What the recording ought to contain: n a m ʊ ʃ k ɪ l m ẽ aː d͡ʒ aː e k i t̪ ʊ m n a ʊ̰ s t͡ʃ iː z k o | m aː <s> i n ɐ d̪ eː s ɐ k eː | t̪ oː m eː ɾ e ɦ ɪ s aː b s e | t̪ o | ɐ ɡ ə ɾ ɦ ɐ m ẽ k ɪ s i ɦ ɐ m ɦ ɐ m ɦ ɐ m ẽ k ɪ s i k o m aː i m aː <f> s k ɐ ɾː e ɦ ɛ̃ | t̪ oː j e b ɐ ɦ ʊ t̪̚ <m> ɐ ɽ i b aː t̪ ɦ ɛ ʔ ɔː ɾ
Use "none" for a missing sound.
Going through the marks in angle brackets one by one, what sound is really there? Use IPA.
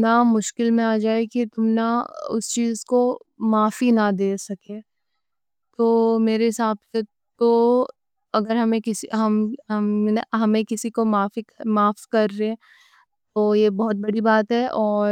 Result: f, f, b

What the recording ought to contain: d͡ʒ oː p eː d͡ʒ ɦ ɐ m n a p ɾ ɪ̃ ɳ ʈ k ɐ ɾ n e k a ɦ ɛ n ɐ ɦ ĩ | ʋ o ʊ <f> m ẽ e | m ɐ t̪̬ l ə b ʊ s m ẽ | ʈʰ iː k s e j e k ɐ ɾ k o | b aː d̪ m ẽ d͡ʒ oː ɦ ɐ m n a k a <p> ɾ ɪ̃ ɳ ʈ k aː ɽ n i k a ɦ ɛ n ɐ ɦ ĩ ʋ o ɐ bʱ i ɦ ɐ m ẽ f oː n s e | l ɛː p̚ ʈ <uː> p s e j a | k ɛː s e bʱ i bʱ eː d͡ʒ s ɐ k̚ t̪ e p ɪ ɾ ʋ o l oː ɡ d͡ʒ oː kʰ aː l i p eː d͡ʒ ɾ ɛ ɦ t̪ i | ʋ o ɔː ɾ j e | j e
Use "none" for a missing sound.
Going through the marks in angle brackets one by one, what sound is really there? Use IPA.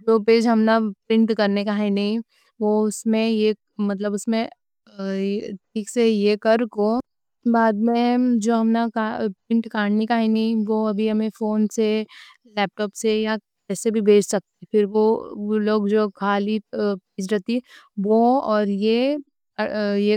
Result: s, p, ɔː

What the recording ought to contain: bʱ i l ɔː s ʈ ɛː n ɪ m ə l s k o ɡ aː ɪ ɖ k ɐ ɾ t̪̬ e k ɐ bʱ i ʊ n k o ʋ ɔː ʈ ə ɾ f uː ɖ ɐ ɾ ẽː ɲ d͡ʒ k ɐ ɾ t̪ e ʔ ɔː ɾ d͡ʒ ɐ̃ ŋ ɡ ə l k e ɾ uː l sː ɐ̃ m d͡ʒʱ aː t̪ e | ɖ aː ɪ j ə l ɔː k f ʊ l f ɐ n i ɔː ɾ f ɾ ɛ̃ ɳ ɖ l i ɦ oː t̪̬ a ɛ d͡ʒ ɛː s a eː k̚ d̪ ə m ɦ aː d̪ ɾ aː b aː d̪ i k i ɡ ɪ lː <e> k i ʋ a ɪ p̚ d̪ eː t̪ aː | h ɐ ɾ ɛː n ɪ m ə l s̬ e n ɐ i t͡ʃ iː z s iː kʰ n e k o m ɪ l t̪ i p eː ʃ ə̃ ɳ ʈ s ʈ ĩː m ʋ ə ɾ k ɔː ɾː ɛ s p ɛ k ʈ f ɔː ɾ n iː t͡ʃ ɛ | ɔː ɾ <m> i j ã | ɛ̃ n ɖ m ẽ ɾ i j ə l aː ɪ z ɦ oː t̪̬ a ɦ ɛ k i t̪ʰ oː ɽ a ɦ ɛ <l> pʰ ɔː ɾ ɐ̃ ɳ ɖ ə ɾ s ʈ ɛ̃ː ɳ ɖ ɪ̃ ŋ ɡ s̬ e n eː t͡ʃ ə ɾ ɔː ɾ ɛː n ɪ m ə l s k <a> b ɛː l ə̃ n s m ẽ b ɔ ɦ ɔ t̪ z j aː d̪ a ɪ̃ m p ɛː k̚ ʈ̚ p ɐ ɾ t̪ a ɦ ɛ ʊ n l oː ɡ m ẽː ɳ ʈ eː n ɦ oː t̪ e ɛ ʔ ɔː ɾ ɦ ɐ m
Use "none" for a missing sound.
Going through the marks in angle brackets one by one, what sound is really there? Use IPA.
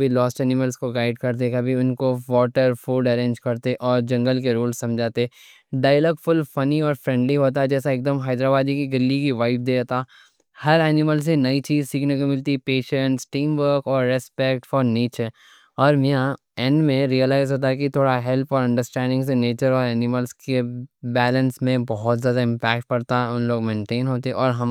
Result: i, m, l, e

